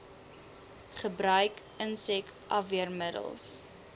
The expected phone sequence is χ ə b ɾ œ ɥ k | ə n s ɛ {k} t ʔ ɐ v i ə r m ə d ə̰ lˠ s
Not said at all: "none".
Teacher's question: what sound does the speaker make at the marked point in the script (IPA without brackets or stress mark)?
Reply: k